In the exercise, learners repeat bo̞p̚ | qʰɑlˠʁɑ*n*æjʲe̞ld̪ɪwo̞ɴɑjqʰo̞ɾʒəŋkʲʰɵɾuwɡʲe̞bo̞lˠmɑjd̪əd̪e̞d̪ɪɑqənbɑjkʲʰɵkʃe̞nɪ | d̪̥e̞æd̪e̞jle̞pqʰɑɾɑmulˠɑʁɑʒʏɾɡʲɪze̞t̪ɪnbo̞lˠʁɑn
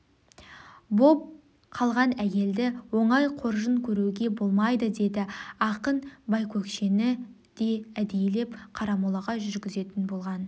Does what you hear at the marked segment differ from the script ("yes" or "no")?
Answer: no